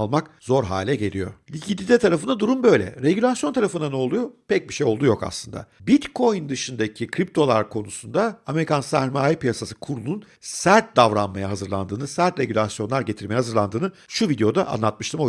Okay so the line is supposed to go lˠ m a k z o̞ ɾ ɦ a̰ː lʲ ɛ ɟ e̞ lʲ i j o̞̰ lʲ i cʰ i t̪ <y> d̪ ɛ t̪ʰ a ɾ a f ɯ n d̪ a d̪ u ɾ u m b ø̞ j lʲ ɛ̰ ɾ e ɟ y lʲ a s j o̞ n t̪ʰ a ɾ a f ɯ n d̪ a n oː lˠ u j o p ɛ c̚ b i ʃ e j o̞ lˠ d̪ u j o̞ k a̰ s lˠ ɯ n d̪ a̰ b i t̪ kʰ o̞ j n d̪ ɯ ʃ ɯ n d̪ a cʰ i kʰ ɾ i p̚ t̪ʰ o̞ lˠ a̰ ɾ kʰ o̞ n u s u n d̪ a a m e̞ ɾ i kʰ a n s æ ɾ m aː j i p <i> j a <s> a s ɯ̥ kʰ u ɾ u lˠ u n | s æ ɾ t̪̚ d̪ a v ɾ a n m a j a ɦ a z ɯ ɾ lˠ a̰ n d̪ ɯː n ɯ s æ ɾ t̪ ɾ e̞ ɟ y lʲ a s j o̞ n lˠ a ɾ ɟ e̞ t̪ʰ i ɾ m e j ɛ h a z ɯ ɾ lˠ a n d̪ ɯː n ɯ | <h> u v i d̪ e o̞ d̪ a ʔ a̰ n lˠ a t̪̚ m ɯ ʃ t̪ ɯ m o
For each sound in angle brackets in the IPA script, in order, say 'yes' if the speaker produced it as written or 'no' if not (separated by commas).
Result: no, yes, yes, no